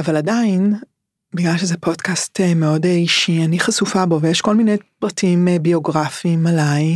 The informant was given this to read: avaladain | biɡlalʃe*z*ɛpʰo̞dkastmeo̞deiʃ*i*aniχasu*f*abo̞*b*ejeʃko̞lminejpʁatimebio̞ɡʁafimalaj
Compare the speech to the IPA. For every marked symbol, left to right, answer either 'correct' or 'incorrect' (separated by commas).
correct, correct, correct, incorrect